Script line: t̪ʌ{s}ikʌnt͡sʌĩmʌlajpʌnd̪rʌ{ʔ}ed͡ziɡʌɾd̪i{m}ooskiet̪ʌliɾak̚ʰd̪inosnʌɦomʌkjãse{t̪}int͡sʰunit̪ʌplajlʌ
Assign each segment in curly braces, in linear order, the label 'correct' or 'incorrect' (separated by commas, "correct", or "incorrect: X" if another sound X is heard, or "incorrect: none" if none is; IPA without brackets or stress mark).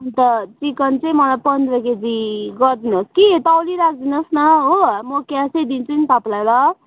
incorrect: t͡s, incorrect: k, incorrect: n, incorrect: d̪